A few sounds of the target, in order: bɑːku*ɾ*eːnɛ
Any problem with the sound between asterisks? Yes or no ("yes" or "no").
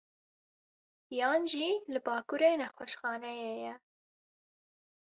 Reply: no